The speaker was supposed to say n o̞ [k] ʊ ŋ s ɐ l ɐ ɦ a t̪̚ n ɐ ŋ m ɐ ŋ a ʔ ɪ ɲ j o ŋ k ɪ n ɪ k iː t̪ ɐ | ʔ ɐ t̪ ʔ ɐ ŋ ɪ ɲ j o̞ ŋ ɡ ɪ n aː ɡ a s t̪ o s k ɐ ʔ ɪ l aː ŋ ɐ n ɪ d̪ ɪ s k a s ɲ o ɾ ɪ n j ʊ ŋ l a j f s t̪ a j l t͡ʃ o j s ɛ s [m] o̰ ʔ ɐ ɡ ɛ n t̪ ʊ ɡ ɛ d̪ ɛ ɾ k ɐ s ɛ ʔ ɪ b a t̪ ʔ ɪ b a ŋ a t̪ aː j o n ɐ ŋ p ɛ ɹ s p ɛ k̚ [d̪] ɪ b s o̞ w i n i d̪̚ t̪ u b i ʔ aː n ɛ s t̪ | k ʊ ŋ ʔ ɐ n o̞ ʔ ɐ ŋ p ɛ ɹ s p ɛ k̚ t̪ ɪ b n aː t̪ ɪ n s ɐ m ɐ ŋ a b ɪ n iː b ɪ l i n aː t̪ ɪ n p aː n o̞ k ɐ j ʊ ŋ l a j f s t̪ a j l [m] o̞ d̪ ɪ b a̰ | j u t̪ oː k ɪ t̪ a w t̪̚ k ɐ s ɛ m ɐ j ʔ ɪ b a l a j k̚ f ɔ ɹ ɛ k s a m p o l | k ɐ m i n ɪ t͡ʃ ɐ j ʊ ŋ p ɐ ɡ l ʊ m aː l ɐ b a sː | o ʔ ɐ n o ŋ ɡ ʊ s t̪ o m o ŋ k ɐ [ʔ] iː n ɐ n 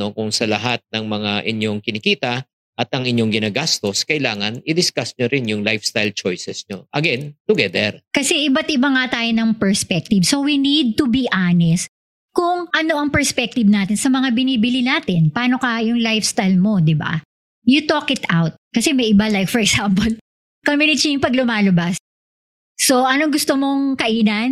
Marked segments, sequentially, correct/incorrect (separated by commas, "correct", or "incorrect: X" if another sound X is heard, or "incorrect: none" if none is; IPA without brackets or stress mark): correct, incorrect: ɲ, incorrect: t̪, correct, correct